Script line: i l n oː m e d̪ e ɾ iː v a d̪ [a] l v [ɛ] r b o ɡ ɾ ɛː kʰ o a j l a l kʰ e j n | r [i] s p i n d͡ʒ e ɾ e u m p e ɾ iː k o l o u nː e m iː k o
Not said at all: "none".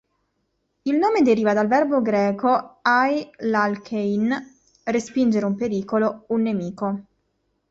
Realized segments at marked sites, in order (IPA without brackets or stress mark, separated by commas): a, ɛ, e